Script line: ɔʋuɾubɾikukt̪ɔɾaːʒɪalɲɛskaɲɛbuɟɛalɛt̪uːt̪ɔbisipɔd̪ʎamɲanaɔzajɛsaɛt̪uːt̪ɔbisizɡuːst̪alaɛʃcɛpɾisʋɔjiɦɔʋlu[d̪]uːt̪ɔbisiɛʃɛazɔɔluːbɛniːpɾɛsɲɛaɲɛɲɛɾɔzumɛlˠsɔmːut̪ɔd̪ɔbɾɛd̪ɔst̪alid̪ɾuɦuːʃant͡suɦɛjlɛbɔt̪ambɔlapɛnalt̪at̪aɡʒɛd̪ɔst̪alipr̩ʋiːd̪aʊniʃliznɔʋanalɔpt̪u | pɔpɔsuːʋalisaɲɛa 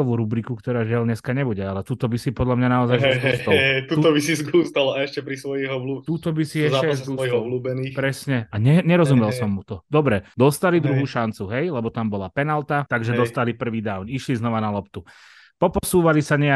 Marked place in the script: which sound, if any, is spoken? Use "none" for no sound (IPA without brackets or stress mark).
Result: t̪